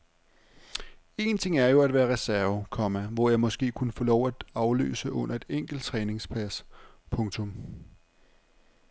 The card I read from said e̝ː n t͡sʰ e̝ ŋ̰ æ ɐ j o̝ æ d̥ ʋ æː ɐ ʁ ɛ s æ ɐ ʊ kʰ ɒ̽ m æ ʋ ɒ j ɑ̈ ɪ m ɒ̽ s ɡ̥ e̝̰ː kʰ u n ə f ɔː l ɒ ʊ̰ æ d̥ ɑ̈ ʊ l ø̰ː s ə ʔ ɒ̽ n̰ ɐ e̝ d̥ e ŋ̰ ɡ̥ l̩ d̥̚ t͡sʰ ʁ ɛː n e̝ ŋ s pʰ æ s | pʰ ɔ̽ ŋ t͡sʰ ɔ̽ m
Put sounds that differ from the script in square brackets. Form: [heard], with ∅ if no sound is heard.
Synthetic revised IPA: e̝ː n t͡sʰ e̝ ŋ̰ æ ɐ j o̝ æ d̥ ʋ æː ɐ ʁ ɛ s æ ɐ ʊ kʰ ɒ̽ m æ ʋ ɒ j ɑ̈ ɪ m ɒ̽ s ɡ̥ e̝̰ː kʰ u n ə f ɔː l ɒ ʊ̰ æ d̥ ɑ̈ ʊ l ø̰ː s ə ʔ [ɔ̽] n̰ ɐ e̝ d̥ e ŋ̰ ɡ̥ l̩ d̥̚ t͡sʰ ʁ ɛː n e̝ ŋ s pʰ æ s | pʰ ɔ̽ ŋ t͡sʰ ɔ̽ m

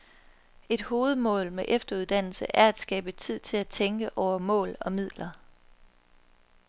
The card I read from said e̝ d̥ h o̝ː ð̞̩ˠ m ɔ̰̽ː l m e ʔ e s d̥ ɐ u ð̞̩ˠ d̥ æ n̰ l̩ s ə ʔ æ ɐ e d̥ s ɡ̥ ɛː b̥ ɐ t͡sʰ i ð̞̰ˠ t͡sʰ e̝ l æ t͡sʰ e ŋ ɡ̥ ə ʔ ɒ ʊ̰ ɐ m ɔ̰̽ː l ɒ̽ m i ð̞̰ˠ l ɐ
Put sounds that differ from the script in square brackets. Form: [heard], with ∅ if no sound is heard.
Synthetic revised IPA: e̝ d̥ h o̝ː ð̞̩ˠ m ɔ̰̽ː l m e ʔ e [f] d̥ ɐ u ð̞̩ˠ d̥ æ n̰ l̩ s ə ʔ æ ɐ [æ] d̥ s ɡ̥ ɛː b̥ [ə] t͡sʰ i ð̞̰ˠ t͡sʰ e̝ l æ t͡sʰ e ŋ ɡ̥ ə ʔ ɒ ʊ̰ ɐ m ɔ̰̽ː l ɒ̽ m i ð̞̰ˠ l ɐ

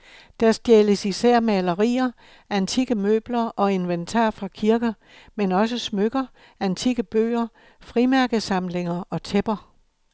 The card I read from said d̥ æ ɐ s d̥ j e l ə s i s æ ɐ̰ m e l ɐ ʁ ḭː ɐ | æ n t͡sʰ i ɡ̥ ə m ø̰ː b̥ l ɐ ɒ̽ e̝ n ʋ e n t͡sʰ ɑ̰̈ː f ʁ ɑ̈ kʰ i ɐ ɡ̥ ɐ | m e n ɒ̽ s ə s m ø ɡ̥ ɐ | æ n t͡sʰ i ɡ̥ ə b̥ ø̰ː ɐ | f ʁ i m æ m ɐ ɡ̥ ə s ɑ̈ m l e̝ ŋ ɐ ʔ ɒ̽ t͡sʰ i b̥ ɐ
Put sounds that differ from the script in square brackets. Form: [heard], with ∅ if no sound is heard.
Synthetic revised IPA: d̥ æ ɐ s d̥ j e l ə s i s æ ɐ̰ m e l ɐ ʁ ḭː ɐ | æ n t͡sʰ i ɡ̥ ə m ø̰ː b̥ l ɐ ɒ̽ e̝ n ʋ e n t͡sʰ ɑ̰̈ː f ʁ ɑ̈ kʰ i ɐ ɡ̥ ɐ | m e n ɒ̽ s ə s m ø ɡ̥ ɐ | æ n t͡sʰ i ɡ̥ ə b̥ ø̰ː ɐ | f ʁ i m æ [∅] ɐ ɡ̥ ə s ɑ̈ m l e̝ ŋ ɐ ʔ ɒ̽ t͡sʰ [e] b̥ ɐ

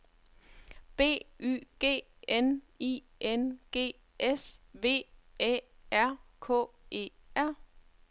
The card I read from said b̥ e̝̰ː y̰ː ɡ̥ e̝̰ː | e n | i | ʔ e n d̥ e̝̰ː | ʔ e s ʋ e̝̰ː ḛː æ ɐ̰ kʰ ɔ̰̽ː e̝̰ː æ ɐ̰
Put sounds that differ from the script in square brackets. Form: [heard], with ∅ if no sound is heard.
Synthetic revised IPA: b̥ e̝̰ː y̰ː ɡ̥ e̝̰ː | e n | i | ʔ e n [ɡ̥] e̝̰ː | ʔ e s ʋ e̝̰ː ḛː æ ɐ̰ kʰ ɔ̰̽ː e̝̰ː æ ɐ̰

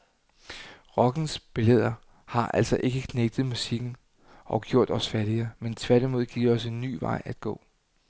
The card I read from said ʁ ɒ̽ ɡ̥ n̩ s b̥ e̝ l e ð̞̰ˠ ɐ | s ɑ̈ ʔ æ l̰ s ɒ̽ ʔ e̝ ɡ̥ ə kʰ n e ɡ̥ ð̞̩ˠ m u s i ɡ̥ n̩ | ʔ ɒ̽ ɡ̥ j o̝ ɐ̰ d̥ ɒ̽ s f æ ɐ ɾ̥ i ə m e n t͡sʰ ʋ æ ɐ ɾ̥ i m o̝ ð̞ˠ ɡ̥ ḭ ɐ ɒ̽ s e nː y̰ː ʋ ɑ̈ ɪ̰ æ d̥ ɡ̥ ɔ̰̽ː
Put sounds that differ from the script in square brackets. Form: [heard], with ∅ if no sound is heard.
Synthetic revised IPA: ʁ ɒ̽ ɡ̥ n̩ s b̥ e̝ l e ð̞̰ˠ ɐ | [h] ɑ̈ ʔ æ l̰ s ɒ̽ ʔ e̝ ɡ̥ ə kʰ n e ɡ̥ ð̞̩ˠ m u s i ɡ̥ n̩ | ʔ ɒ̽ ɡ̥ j o̝ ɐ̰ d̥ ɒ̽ s f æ ɐ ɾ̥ i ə m e n t͡sʰ ʋ æ ɐ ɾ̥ i m o̝ ð̞ˠ ɡ̥ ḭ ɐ ɒ̽ s e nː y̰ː ʋ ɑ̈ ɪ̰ æ d̥ ɡ̥ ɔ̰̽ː

